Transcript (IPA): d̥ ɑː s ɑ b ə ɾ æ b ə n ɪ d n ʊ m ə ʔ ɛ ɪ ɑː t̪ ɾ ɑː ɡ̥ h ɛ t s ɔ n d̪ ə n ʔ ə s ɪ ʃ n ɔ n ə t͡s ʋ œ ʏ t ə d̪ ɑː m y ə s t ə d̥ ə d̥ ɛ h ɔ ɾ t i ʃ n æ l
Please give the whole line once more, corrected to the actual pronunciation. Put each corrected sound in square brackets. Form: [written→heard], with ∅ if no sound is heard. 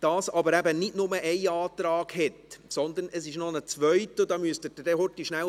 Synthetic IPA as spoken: d̥ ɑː s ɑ b ə ɾ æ b ə n ɪ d n ʊ m ə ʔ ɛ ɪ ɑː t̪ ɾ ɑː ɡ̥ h ɛ t s ɔ n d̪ ə n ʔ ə s ɪ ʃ n ɔ n ə t͡s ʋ œ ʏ t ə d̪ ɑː m y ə s t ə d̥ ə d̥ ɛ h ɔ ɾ t i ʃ n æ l